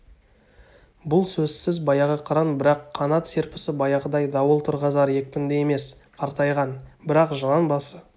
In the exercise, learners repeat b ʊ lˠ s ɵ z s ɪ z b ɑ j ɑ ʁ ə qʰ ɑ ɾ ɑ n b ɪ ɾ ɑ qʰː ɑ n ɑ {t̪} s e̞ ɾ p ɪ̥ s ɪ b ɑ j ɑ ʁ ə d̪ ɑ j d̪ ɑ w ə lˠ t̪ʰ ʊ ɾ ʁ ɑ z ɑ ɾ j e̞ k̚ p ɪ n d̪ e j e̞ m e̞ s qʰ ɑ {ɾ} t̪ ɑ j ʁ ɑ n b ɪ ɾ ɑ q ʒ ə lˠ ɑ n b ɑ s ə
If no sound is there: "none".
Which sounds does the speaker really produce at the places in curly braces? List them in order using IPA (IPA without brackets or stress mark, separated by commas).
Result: t̪, ɾ